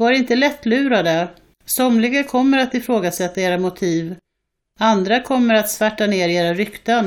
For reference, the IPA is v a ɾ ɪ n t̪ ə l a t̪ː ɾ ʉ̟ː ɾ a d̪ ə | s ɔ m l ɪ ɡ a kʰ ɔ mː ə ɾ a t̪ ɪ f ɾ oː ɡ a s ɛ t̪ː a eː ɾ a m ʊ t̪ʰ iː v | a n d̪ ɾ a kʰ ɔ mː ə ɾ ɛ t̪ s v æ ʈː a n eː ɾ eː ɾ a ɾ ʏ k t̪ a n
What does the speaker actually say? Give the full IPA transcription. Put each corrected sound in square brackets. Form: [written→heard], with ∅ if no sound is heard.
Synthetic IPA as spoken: v a ɾ ɪ n t̪ ə l [a→ɛ] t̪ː [ɾ→l] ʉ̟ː ɾ a d̪ ə | s ɔ m l ɪ ɡ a kʰ ɔ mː ə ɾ a t̪ ɪ f ɾ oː ɡ a s ɛ t̪ː a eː ɾ a m ʊ t̪ʰ iː v | a n d̪ ɾ a kʰ ɔ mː ə ɾ [ɛ→a] t̪ s v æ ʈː a n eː ɾ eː ɾ a ɾ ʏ k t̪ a n